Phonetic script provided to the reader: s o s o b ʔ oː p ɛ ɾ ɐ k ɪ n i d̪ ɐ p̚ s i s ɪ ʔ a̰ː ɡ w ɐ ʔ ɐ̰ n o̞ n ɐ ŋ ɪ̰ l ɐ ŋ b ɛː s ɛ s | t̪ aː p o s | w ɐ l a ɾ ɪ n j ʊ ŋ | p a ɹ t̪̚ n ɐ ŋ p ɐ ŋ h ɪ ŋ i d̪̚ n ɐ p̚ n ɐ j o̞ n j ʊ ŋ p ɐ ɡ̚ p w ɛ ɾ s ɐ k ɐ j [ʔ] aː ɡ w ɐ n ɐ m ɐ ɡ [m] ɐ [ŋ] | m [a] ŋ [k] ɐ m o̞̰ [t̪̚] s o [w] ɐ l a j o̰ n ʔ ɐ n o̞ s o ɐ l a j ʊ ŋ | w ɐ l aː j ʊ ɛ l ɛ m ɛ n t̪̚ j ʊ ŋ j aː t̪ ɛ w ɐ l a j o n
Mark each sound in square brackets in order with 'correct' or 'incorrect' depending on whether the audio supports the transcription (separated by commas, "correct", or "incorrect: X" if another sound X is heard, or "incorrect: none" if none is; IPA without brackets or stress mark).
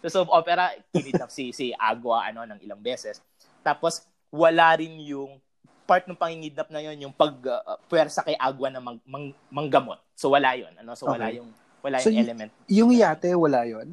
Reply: correct, correct, correct, incorrect: ɐ, incorrect: ɡ, correct, correct